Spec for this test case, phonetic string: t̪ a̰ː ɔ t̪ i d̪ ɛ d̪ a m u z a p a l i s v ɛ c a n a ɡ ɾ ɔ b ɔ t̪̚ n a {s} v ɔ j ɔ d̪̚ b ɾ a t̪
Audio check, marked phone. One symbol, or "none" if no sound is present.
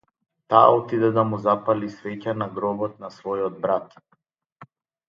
s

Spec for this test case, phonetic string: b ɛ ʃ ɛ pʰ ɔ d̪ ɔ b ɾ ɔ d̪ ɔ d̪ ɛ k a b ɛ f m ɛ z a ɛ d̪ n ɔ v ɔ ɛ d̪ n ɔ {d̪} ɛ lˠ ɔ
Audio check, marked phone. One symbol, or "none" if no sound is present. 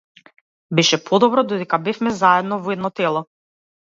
t̪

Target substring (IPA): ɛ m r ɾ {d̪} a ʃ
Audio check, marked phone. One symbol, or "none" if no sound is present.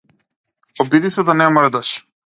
d̪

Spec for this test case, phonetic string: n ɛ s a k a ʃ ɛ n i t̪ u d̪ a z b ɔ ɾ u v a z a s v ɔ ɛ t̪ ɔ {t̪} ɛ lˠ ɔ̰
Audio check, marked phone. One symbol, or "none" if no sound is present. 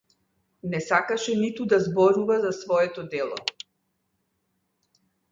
d̪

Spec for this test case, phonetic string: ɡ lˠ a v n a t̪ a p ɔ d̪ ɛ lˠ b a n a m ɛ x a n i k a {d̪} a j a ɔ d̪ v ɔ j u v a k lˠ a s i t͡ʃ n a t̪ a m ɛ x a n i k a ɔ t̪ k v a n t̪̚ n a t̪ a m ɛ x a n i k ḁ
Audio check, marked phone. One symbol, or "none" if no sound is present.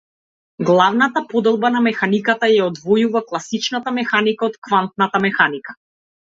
t̪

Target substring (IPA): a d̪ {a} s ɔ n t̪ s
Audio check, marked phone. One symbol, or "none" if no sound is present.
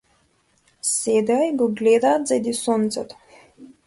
i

